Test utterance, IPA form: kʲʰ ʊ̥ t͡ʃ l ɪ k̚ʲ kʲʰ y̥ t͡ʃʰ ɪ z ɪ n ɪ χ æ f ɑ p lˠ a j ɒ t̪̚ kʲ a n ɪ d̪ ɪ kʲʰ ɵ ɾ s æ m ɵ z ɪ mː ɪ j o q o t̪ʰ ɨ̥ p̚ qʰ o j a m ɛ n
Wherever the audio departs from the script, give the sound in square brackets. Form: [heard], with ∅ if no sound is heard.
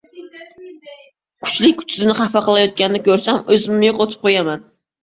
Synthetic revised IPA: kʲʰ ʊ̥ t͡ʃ l ɪ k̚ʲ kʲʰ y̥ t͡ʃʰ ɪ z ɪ n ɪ χ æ f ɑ [q] lˠ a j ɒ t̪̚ kʲ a n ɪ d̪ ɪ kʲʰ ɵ ɾ s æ m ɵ z ɪ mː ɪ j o q o t̪ʰ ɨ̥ p̚ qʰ o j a m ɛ n